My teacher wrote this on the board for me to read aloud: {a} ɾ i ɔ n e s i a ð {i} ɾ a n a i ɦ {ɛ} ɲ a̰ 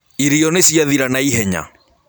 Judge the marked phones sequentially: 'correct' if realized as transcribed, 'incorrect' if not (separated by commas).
incorrect, correct, correct